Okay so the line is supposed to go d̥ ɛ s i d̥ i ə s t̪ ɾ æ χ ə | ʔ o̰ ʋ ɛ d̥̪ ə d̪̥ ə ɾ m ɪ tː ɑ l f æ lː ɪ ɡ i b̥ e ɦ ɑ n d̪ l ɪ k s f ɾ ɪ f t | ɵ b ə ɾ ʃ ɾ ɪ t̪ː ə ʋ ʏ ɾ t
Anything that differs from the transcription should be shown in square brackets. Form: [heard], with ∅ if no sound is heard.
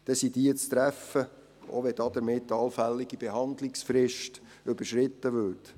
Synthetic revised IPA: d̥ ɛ s i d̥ i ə [t͡s] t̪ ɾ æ [f] ə | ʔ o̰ ʋ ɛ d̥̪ [ɑ] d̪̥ ə ɾ m ɪ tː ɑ l f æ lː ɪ ɡ i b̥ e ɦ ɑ n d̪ l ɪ k s f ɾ ɪ [ʃ] t | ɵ b ə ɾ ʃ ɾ ɪ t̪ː ə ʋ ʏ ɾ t